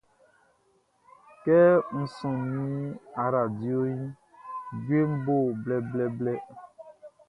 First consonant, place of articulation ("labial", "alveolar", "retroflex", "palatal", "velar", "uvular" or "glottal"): velar